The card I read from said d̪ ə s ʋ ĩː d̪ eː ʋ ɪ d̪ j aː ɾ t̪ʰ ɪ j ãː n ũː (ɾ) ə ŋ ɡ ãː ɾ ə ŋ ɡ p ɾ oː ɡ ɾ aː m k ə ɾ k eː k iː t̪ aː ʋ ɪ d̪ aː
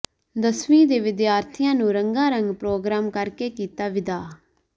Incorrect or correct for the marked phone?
correct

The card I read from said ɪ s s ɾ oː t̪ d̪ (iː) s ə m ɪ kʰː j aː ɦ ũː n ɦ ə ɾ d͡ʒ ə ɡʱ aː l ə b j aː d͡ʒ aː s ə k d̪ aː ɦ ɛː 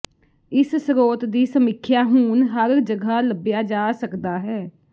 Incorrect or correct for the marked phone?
correct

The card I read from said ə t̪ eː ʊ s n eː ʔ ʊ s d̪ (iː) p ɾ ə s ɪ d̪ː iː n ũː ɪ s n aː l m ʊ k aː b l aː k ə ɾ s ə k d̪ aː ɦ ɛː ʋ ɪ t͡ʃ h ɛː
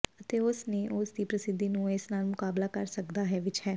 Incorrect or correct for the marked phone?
correct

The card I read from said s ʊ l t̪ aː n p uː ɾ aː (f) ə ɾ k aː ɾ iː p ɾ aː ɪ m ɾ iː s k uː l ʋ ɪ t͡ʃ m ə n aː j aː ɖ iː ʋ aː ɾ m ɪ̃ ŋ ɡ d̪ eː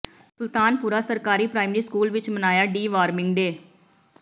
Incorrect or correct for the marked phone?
incorrect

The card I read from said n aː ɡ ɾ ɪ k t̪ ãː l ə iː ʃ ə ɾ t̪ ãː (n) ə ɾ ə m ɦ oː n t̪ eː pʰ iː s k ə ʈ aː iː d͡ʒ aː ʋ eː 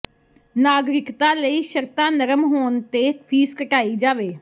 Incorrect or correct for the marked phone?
correct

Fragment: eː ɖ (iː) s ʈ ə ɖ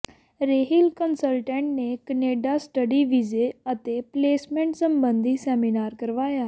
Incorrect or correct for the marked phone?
incorrect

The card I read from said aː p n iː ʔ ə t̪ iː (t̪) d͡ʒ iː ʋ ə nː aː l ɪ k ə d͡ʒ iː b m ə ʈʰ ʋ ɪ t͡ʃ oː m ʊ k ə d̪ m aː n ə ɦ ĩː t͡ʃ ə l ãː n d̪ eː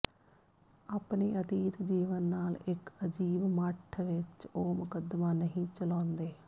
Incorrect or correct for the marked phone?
correct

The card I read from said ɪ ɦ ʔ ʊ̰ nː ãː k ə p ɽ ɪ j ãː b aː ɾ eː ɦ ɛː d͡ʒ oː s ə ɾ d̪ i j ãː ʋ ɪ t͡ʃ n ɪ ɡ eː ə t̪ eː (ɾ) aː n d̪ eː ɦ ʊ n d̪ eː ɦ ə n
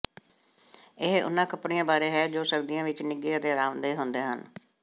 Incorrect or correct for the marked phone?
correct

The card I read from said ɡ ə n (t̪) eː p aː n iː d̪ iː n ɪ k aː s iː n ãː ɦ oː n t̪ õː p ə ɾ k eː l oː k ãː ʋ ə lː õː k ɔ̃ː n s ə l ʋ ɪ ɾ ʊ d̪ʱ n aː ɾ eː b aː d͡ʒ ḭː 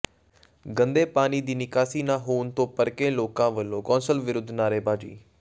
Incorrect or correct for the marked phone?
incorrect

